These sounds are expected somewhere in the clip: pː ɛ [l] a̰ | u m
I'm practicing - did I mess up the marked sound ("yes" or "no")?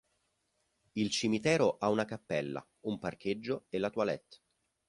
yes